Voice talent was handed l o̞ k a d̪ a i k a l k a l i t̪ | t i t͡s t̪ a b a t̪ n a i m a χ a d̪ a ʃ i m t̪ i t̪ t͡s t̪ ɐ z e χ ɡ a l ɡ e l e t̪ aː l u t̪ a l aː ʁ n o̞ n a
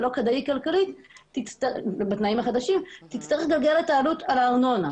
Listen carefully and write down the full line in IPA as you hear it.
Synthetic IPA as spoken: l o̞ k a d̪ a i k a l k a l i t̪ | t i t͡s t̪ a b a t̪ n a i m a χ a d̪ a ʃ i m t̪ i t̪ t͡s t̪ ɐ ʁ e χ ɡ a l ɡ e l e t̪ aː l u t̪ a l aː ʁ n o̞ n a